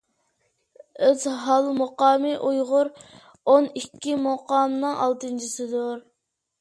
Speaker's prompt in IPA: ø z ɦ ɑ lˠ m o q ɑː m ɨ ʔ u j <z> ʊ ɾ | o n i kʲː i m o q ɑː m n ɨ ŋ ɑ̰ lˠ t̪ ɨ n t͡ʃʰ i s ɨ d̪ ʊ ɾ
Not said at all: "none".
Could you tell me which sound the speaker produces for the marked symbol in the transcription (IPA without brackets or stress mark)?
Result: ʁ